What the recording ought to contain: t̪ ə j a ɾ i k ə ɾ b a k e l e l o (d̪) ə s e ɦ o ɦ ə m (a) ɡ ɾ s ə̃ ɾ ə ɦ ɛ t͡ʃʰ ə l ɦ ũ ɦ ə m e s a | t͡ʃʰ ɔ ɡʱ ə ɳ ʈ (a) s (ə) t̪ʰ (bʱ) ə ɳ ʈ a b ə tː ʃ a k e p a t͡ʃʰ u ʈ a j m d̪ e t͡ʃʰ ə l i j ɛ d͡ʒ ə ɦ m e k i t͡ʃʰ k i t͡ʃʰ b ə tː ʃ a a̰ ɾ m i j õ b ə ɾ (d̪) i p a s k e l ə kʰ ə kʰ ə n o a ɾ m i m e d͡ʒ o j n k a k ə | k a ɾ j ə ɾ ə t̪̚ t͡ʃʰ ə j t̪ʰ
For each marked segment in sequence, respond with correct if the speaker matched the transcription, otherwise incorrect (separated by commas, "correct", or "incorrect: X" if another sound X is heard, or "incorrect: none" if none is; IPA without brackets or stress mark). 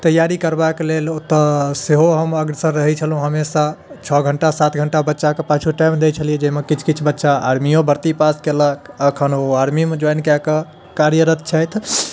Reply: incorrect: t̪, incorrect: ə, correct, incorrect: a, incorrect: ɡʱ, incorrect: t̪